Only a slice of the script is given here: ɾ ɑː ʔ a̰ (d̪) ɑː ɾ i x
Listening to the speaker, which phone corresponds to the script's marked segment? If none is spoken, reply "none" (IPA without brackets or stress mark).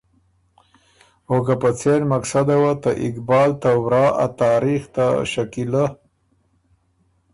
t̪